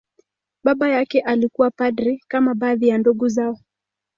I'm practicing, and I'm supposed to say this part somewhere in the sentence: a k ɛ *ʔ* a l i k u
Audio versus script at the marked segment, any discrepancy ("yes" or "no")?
no